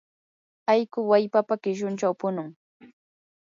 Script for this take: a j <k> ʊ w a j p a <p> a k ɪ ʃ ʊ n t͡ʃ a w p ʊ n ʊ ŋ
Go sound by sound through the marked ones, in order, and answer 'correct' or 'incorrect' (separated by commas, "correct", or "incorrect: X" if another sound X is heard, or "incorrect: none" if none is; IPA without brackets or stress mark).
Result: correct, correct